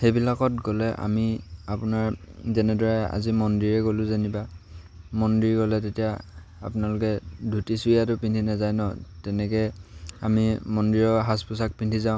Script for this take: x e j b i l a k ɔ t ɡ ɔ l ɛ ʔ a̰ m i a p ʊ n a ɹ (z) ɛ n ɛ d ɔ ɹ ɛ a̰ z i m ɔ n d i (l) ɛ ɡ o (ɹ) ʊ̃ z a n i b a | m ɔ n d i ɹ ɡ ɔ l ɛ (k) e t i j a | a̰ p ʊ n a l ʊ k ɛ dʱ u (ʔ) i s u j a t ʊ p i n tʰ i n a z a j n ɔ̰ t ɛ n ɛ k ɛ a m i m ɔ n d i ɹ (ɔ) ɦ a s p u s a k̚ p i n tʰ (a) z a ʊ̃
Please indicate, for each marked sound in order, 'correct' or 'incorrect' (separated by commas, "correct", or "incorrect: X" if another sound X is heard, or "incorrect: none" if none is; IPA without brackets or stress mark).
correct, incorrect: ɹ, incorrect: l, incorrect: t, incorrect: t, correct, incorrect: i